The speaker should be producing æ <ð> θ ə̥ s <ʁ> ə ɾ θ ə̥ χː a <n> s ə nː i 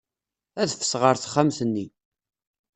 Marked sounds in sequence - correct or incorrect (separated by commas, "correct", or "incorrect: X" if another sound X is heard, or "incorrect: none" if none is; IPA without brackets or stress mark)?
correct, correct, incorrect: m